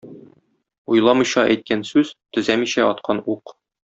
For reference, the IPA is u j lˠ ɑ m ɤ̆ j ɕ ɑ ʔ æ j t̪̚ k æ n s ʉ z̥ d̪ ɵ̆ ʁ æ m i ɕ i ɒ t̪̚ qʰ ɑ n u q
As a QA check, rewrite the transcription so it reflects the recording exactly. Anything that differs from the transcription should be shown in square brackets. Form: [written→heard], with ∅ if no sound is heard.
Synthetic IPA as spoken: u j lˠ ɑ m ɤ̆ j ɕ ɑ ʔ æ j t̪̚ k æ n s ʉ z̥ [d̪→t̪] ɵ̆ [ʁ→z] æ m i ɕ [i→æ] ɒ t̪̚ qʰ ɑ n u q